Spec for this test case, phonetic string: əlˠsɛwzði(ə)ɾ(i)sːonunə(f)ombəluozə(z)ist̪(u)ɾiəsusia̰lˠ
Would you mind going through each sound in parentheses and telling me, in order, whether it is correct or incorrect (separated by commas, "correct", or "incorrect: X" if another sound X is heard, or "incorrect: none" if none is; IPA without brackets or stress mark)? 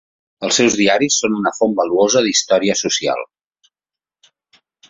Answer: incorrect: a, correct, correct, incorrect: ð, incorrect: ɔ